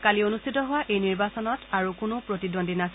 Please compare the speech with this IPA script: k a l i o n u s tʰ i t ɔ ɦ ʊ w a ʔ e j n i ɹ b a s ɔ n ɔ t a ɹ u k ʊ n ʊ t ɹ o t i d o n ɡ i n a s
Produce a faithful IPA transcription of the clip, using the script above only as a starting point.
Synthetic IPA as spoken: k a l i o n u s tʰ i t ɔ ɦ ʊ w a ʔ e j n i ɹ b a s ɔ n ɔ t a ɹ u k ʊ n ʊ p ɹ o t i d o n d i n a s